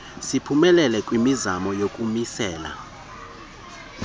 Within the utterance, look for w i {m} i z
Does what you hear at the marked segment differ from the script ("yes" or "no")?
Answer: no